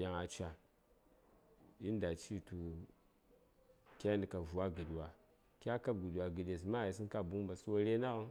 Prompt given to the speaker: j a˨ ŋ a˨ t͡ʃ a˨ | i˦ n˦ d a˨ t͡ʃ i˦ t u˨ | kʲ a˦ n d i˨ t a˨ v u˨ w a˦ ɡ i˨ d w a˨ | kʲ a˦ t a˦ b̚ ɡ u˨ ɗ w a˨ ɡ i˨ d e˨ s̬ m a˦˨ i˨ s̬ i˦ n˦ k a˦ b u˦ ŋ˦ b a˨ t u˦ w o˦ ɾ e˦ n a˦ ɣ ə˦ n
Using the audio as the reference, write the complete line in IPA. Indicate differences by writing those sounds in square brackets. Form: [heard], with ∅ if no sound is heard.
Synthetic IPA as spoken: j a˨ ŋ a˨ t͡ʃ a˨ | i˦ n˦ d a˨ t͡ʃ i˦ t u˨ | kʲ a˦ n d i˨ [k] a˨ v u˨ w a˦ ɡ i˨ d w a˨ | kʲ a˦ [k] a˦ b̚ ɡ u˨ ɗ w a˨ ɡ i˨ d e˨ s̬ m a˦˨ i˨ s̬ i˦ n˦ k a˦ b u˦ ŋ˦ b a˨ [s] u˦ w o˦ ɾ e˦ n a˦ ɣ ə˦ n